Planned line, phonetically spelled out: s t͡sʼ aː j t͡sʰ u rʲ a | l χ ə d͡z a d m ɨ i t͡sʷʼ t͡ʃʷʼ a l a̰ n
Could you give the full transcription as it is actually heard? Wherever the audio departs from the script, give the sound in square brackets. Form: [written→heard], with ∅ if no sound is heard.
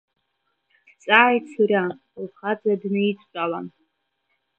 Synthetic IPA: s t͡sʼ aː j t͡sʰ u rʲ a | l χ [ə→a] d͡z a d [m→n] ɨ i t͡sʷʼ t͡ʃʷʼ a l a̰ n